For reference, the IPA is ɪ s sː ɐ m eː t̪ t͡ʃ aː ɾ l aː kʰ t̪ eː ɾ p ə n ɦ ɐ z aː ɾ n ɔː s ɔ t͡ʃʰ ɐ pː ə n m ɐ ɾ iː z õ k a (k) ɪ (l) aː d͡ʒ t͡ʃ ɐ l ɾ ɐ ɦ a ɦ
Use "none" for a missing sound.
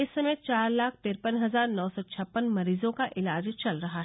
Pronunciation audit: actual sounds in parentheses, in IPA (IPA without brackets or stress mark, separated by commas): ʔ, l